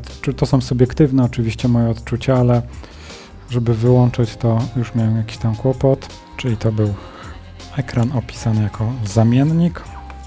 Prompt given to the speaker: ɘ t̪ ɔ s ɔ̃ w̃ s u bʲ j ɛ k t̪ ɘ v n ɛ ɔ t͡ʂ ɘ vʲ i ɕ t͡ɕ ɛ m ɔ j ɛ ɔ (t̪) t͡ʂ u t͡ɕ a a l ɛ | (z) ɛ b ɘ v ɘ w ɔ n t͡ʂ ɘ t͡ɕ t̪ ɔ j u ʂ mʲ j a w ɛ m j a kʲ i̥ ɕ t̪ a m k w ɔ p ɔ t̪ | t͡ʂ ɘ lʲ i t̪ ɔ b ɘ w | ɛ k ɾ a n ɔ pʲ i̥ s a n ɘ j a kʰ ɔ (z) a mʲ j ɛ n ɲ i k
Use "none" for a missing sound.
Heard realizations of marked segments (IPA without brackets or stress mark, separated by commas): t̪, ʐ, z